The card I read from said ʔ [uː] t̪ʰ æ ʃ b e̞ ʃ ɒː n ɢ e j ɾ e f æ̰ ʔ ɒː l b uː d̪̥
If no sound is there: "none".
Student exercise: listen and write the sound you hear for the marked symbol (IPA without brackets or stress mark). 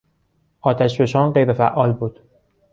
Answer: ɒː